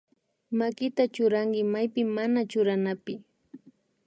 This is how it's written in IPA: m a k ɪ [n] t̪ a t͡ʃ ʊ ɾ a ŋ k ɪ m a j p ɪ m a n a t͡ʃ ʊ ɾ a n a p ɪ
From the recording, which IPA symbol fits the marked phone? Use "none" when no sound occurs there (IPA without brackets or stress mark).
none